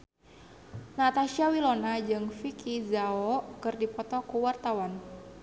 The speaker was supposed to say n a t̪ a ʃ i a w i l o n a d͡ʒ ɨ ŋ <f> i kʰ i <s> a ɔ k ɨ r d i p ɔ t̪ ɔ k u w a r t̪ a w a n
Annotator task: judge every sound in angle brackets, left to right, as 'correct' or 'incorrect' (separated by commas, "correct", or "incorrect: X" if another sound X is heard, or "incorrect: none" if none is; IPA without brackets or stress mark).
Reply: correct, incorrect: z